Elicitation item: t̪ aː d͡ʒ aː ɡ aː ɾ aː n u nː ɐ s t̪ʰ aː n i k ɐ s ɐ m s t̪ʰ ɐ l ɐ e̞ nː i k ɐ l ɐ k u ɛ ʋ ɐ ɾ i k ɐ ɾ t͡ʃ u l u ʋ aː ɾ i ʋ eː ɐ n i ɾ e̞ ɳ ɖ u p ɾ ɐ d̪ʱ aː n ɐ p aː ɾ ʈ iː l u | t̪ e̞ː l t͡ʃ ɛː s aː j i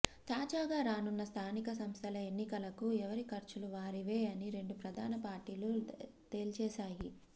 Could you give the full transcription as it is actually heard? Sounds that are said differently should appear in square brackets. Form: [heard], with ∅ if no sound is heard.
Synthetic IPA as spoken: t̪ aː d͡ʒ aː ɡ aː ɾ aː n u nː ɐ s t̪ʰ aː n i k ɐ s ɐ m s t̪ʰ ɐ l ɐ e̞ nː i k ɐ l ɐ k u ɛ ʋ ɐ ɾ i k ɐ ɾ t͡ʃ u l u ʋ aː ɾ i ʋ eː ɐ n i ɾ e̞ ɳ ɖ u p ɾ ɐ d̪ʱ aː n ɐ p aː ɾ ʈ iː l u | t̪ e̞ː l t͡ʃ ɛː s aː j i